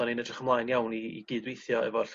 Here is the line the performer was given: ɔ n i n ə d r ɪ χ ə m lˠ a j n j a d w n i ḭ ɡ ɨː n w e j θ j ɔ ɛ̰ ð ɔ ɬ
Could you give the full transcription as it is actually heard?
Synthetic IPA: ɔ n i n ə d r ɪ χ ə m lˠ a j n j a w n i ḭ ɡ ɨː d w e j θ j ɔ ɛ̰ v ɔ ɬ